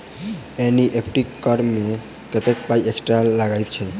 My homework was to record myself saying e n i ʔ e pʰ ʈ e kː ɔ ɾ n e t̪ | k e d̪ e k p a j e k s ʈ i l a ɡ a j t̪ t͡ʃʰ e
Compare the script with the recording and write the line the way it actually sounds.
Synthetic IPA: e n i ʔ e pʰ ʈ i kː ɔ ɾ m e | k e t̪ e k p a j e k s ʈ a l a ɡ a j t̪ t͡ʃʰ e